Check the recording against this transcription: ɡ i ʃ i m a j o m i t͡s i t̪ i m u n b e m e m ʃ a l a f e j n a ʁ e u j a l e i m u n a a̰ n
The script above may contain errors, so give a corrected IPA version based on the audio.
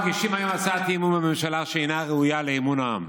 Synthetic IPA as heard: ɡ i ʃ i m a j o m a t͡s a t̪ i m u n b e m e m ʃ a l a ʃ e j n a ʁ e u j a l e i m u n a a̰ m